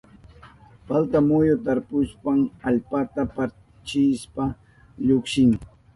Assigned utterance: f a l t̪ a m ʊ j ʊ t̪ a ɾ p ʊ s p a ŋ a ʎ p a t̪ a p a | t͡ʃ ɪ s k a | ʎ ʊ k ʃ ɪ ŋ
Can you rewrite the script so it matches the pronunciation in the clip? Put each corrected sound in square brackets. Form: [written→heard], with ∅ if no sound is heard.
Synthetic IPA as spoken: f a l t̪ a m ʊ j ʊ t̪ a ɾ p ʊ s p a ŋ a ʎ p a t̪ a p a | t͡ʃ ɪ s [k→p] a | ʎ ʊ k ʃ ɪ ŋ